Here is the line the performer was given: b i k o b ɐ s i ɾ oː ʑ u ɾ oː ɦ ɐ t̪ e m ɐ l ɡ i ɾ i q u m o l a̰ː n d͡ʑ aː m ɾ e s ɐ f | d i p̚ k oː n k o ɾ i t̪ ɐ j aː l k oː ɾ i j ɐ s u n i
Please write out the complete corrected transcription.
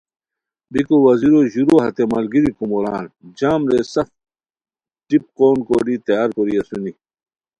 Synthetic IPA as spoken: b i k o w ɐ z i ɾ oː ʑ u ɾ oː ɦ ɐ t̪ e m ɐ l ɡ i ɾ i k u m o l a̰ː n d͡ʑ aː m ɾ e s ɐ f | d i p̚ k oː n k o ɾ i t̪ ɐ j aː ɾ k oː ɾ i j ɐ s u n i